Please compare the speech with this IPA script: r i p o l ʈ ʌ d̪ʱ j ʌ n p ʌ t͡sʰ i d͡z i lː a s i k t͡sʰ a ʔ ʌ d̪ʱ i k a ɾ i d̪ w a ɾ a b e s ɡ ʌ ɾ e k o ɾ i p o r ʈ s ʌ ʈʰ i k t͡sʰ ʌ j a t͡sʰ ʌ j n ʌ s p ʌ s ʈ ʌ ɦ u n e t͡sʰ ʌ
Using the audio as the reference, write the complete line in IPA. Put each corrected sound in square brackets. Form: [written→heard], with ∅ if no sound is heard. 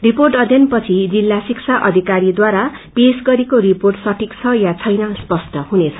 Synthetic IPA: r i p o [l→r] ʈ ʌ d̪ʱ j ʌ n p ʌ t͡sʰ i d͡z i lː a s i k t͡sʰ a ʔ ʌ d̪ʱ i k a ɾ i d̪ w a ɾ a [b→p] e s ɡ ʌ ɾ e k o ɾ i p o r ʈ s ʌ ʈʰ i k t͡sʰ ʌ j a t͡sʰ ʌ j n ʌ s p ʌ s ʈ ʌ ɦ u n e t͡sʰ ʌ